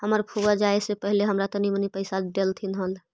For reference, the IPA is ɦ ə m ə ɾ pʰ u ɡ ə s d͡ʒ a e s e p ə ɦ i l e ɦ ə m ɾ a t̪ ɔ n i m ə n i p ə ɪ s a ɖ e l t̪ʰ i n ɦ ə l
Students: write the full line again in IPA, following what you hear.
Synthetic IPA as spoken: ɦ ə m ə ɾ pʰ u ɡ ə d͡ʒ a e s e p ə ɦ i l e ɦ ə m ɾ a t̪ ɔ n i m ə n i p ə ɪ s a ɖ e l t̪ʰ i n ɦ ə l